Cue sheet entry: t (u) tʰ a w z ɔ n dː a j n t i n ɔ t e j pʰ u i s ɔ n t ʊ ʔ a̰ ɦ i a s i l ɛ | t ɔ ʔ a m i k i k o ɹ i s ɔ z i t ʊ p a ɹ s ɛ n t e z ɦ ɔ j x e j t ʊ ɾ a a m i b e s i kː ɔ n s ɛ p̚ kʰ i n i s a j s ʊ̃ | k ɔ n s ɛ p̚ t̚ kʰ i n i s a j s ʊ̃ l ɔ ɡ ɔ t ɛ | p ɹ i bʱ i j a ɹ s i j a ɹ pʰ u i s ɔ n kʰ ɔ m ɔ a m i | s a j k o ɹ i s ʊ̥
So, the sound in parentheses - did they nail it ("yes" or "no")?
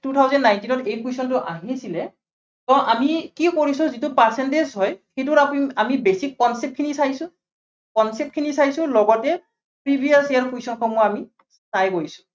yes